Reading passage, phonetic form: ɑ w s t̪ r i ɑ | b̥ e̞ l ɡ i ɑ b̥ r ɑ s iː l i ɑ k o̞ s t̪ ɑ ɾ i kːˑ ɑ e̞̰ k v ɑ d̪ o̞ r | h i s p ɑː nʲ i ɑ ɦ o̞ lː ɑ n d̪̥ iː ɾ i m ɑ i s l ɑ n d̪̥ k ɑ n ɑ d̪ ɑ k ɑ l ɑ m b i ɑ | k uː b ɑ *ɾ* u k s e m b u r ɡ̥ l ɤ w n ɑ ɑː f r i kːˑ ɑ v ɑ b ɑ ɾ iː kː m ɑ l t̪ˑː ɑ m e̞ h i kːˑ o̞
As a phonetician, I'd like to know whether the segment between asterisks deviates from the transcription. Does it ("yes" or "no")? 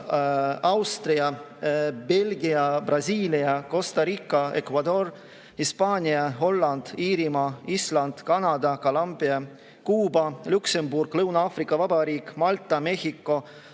yes